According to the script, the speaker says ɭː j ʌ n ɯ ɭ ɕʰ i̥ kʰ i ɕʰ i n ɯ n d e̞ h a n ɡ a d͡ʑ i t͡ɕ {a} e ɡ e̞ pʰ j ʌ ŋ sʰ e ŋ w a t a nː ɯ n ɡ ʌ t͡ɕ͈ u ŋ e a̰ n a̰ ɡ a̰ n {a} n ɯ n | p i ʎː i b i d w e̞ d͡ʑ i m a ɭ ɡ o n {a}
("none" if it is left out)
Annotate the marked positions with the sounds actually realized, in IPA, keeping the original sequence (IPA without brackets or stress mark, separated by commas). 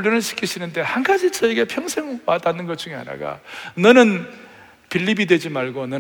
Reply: ʌ, ʌ, ʌ